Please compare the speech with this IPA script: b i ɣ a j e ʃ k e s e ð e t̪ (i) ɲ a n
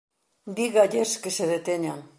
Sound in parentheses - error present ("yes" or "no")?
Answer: yes